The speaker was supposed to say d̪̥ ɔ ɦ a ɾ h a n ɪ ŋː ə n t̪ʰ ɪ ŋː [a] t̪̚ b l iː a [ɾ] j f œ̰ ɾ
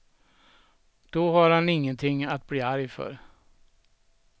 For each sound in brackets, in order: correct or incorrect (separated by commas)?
correct, correct